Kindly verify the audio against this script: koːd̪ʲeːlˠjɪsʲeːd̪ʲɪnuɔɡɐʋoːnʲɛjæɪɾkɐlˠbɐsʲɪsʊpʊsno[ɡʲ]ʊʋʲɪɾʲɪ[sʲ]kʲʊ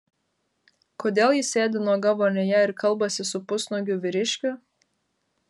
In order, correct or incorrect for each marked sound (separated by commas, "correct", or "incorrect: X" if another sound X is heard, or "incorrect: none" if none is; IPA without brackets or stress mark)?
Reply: correct, incorrect: ʃʲ